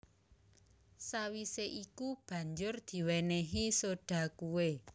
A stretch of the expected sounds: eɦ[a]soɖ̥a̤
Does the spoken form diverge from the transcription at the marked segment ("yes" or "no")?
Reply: yes